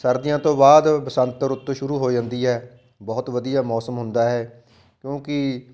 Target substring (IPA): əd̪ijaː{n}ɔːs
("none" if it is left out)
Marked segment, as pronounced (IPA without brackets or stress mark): m